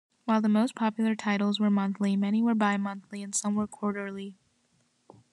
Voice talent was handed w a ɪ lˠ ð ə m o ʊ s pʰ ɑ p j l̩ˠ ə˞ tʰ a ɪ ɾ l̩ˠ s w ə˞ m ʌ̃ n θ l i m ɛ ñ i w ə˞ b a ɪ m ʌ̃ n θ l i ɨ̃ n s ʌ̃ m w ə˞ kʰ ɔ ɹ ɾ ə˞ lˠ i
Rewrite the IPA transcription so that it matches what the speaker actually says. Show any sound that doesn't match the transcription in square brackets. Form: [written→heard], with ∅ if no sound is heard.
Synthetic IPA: w a ɪ lˠ ð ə m o ʊ s pʰ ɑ p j l̩ˠ ə˞ tʰ a ɪ ɾ l̩ˠ [s→z] w ə˞ m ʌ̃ n θ l i m ɛ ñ i w ə˞ b a ɪ m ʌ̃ n θ l i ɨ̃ n s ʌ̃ m w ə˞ kʰ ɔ ɹ ɾ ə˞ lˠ i